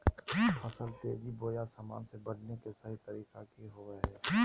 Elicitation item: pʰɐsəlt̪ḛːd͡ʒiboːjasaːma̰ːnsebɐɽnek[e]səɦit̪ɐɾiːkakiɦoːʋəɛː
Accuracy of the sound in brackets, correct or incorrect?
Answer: correct